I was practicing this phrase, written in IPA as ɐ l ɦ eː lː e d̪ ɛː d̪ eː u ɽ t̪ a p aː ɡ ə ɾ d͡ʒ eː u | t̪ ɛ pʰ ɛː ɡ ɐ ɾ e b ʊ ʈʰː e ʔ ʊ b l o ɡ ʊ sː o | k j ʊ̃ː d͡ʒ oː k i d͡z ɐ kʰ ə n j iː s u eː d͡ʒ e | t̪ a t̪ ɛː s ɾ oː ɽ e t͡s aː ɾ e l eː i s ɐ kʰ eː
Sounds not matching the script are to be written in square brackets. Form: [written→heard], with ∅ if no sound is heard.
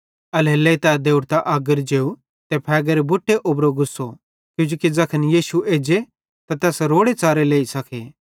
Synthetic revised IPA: ɐ l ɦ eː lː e [d̪→t̪] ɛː d̪ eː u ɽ t̪ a [p→ʔ] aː ɡ ə ɾ d͡ʒ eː u | t̪ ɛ pʰ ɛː ɡ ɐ ɾ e b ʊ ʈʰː e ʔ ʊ b [l→ɾ] o ɡ ʊ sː o | k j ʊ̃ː d͡ʒ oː k i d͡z ɐ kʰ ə n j iː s u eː d͡ʒ e | t̪ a t̪ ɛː s ɾ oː ɽ e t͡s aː ɾ e l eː i s ɐ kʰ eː